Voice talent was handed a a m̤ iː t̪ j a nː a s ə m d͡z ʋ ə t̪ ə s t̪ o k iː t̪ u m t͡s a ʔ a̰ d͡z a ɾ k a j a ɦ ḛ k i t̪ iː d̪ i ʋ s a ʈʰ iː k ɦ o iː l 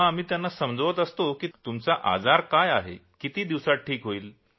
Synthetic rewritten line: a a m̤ iː t̪ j a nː a s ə m d͡z ʋ ə t̪ ə s t̪ o k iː t̪ u m t͡s a ʔ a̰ d͡z a ɾ k a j a ɦ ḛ k i t̪ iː d̪ i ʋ s a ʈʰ iː k ɦ o iː l